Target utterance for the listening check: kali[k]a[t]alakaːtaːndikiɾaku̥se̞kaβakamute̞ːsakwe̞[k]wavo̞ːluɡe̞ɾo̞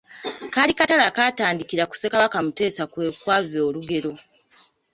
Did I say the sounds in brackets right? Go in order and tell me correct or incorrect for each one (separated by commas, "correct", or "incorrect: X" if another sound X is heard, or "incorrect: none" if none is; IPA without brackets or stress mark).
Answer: correct, correct, correct